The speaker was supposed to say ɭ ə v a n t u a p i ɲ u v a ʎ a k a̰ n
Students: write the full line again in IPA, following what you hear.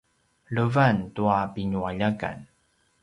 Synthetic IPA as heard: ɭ ə v a n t u a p i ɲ u a ʎ a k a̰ n